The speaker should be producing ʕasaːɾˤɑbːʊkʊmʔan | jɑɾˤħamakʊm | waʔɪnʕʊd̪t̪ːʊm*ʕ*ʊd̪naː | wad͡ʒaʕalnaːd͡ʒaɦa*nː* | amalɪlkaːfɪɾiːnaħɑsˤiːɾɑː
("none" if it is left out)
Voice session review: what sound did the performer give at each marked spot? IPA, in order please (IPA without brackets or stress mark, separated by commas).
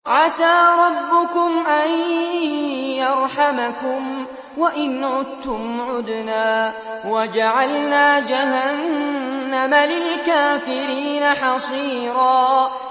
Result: ʕ, nː